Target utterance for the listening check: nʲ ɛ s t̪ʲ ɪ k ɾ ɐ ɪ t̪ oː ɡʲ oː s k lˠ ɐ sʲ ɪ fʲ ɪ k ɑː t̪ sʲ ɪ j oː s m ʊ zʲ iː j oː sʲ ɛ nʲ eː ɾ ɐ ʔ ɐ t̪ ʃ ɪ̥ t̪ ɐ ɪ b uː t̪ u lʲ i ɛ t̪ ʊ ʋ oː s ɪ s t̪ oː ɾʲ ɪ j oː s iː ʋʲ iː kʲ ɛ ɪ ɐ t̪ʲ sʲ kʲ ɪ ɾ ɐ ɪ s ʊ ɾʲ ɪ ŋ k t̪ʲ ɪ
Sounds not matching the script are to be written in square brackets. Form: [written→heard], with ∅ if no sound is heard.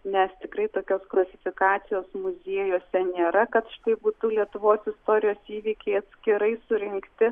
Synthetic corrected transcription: nʲ ɛ s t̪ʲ ɪ k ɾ ɐ ɪ t̪ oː [ɡʲ→kʲ] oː s k lˠ ɐ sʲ ɪ fʲ ɪ k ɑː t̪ sʲ ɪ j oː s m ʊ zʲ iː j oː sʲ ɛ nʲ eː ɾ ɐ [ʔ→k] ɐ t̪ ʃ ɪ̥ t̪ ɐ ɪ b uː t̪ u lʲ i ɛ t̪ ʊ ʋ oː s ɪ s t̪ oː ɾʲ ɪ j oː s iː ʋʲ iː kʲ ɛ ɪ ɐ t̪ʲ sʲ kʲ ɪ ɾ ɐ ɪ s ʊ ɾʲ ɪ ŋ k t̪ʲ ɪ